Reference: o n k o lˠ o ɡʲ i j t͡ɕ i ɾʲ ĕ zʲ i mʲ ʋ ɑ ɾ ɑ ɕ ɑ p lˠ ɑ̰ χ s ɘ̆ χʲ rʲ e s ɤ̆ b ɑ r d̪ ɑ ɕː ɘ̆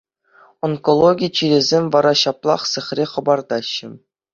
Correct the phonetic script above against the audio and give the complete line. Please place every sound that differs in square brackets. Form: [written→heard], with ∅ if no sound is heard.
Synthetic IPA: o n k o lˠ o ɡʲ i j t͡ɕ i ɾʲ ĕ zʲ [i→e] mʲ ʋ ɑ ɾ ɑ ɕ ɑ p lˠ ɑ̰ χ s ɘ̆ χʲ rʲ e [s→χ] ɤ̆ b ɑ r d̪ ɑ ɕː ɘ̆